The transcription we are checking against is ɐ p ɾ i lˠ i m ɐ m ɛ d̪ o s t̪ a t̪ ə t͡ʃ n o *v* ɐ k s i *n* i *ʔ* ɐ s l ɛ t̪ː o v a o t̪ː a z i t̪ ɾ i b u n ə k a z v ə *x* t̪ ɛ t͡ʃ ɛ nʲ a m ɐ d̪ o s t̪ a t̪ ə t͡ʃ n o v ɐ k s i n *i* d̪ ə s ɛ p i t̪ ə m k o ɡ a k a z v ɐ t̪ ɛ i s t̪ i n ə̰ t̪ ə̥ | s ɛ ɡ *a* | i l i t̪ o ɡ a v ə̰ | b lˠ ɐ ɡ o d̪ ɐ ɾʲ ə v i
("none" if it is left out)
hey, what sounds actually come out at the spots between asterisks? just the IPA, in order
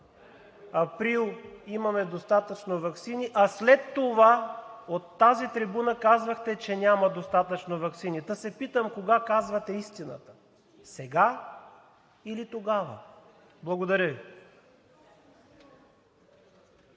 v, n, ʔ, x, i, a

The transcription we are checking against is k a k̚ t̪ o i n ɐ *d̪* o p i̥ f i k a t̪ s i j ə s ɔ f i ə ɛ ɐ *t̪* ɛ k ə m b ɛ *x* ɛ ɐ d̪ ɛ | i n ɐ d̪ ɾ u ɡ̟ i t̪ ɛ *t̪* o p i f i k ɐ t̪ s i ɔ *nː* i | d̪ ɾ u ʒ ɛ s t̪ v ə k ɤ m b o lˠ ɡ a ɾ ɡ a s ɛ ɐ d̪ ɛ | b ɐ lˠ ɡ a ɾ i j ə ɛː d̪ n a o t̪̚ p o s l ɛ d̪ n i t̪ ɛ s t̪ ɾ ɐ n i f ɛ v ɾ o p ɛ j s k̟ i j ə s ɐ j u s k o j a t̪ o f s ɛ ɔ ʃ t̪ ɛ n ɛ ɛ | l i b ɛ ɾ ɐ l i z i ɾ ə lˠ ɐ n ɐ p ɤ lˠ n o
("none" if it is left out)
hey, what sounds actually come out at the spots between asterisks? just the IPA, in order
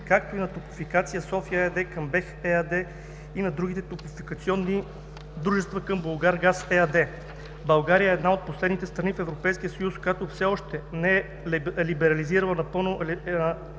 t̪, d̪, x, t̪, nː

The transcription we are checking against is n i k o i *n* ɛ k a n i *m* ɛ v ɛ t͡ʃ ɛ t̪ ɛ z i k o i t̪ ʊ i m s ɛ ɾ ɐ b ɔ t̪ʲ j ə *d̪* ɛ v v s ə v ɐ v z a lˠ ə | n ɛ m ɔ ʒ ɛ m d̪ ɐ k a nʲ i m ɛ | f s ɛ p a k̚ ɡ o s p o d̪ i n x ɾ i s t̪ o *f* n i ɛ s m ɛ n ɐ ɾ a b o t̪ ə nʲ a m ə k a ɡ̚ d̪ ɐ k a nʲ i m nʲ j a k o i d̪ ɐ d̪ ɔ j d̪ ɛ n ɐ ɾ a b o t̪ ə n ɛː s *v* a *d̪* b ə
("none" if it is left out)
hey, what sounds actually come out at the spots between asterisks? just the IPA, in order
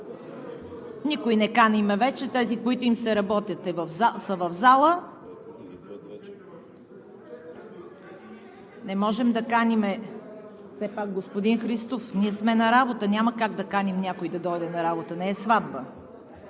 n, m, t̪, f, v, d̪

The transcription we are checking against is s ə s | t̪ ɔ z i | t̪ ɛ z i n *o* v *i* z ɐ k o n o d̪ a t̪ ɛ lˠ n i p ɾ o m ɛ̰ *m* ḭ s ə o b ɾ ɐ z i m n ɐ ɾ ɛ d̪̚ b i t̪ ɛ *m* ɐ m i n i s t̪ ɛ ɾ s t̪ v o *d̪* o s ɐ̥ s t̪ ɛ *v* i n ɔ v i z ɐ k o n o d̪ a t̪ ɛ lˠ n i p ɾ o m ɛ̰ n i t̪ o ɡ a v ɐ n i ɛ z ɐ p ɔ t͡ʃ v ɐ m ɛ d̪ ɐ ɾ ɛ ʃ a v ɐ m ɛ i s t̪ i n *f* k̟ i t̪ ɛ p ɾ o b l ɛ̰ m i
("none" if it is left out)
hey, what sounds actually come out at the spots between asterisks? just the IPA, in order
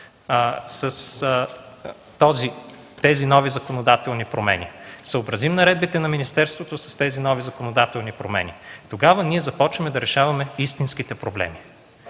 ɔ, i, n, n, t̪, z, s

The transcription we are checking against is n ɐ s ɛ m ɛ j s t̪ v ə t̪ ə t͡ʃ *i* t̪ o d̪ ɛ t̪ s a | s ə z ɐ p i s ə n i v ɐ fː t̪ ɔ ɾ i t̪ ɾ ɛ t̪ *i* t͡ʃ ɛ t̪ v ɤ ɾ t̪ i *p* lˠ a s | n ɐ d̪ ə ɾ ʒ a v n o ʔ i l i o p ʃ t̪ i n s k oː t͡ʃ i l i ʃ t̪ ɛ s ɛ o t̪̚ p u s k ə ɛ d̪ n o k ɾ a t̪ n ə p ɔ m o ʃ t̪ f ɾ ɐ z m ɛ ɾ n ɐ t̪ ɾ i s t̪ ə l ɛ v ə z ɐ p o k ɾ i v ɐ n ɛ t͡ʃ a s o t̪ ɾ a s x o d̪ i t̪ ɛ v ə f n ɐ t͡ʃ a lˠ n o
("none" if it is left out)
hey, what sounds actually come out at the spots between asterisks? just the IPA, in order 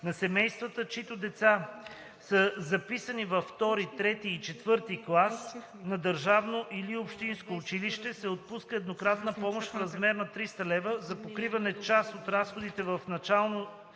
i, iː, k

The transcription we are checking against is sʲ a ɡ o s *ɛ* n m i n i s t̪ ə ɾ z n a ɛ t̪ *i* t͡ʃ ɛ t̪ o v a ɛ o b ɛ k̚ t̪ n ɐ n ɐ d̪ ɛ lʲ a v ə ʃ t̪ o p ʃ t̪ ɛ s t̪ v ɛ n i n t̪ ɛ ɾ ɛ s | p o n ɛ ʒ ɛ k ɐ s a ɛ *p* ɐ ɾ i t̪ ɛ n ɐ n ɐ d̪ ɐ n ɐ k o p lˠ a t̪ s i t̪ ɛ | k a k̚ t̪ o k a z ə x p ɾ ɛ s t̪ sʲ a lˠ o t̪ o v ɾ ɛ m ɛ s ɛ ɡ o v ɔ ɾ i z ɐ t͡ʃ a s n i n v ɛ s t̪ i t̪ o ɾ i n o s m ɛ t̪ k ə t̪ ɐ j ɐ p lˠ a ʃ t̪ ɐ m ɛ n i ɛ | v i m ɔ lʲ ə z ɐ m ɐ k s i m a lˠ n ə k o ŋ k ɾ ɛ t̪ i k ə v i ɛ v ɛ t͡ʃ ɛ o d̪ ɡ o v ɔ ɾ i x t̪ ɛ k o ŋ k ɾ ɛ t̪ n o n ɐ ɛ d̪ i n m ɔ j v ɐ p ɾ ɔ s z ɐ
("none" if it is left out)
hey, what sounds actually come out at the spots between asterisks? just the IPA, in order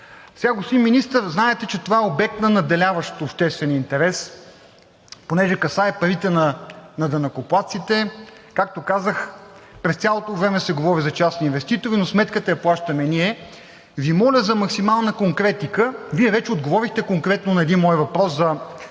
i, ɛ, p

